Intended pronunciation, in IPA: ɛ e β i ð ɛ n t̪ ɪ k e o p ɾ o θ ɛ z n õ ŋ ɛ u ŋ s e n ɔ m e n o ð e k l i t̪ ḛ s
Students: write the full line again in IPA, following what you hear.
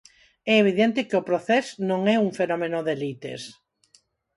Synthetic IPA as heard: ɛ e β i ð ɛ n t̪ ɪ k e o p ɾ o θ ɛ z n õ ŋ ɛ u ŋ f e n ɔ m e n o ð e l i t̪ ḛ s

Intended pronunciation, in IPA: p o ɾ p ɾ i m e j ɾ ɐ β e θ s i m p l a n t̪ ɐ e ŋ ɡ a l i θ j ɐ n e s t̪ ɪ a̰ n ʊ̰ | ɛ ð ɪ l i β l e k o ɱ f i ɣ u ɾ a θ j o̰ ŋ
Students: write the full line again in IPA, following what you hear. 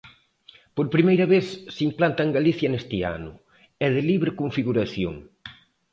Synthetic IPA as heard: p o ɾ p ɾ i m e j ɾ ɐ β e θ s i m p l a n t̪ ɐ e ŋ ɡ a l i θ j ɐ n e s t̪ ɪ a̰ n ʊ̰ | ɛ ð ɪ l i β ɾ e k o ɱ f i ɣ u ɾ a θ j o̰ ŋ

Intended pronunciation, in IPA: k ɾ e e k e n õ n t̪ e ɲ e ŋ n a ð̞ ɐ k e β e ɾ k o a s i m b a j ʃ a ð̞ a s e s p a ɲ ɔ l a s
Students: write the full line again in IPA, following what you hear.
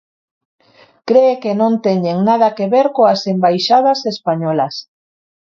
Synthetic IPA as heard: k ɾ e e k e n õ n t̪ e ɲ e ŋ n a ð̞ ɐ k e β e ɾ k o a s e m b a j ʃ a ð̞ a s e s p a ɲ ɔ l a s

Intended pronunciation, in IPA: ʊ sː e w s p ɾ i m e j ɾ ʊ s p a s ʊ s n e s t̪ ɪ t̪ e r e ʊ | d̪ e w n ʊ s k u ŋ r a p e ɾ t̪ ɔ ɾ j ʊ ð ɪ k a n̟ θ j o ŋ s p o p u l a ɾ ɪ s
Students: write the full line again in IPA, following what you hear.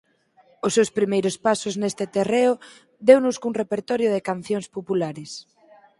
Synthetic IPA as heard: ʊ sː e w s p ɾ i m e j ɾ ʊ s p a s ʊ z n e s t̪ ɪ t̪ e r e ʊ | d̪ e w n ʊ s k u ŋ r e p e ɾ t̪ ɔ ɾ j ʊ ð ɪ k a n̟ θ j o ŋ s p o p u l a ɾ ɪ s

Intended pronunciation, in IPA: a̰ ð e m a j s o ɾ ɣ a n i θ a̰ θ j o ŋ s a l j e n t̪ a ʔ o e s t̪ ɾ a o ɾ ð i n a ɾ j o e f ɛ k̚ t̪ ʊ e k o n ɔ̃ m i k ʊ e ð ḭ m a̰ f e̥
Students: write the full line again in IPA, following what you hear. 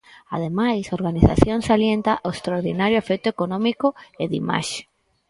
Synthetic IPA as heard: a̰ ð e m a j s o ɾ ɣ a n i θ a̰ θ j o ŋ s a l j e n t̪ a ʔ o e s t̪ ɾ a o ɾ ð i n a ɾ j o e f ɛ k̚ t̪ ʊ e k o n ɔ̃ m i k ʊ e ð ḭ m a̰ ʃ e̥

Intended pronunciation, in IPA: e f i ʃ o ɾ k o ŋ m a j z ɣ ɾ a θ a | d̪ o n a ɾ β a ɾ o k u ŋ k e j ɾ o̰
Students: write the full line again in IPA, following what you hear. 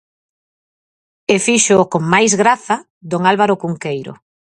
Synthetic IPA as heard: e f i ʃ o k o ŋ m a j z ɣ ɾ a θ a | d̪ o ŋ a l β a ɾ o k u ŋ k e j ɾ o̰

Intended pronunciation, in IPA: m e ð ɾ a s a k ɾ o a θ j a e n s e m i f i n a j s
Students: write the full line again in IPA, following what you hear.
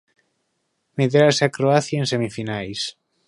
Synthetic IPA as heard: m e ð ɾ a s a k ɾ o a θ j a e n s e m i f i n a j s

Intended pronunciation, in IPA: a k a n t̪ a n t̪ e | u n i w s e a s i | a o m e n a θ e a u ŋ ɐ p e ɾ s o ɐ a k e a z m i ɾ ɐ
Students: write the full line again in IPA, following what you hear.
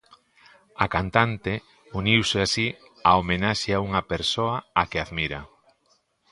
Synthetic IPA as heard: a k a n t̪ a n t̪ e | u n i w s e a s i | a o m e n a ʃ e a u ŋ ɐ p e ɾ s o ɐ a k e a ð m i ɾ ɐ

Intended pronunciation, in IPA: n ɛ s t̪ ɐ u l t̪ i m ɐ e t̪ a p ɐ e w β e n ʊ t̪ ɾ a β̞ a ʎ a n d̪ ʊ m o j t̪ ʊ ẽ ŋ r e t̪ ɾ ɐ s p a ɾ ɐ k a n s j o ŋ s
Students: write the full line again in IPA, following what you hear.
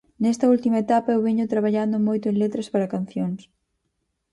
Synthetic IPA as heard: n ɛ s t̪ ɐ u l t̪ i m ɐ e t̪ a p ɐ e w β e ɲ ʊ t̪ ɾ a β̞ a ʎ a n d̪ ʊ m o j t̪ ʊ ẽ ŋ l e t̪ ɾ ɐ s p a ɾ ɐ k a n θ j o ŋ s

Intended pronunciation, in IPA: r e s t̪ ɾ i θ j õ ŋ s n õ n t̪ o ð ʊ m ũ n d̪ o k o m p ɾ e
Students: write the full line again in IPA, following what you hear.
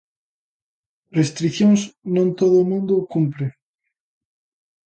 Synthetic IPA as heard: r e s t̪ ɾ i θ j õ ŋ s n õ n t̪ o ð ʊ m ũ n d̪ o k u m p ɾ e

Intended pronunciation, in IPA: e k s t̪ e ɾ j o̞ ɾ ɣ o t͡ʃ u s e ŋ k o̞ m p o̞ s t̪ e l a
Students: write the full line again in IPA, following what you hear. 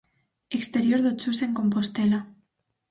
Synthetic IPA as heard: e k s t̪ e ɾ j o̞ ɾ ð o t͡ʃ u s e ŋ k o̞ m p o̞ s t̪ e l a

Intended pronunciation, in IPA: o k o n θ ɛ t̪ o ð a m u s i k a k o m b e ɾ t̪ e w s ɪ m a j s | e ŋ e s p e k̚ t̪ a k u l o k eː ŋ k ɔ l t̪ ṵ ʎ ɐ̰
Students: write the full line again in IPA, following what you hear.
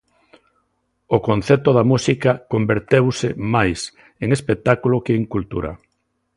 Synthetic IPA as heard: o k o n θ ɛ t̪ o ð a m u s i k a k o m b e ɾ t̪ e w s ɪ m a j s | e ŋ e s p e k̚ t̪ a k u l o k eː ŋ k u l t̪ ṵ ɾ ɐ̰

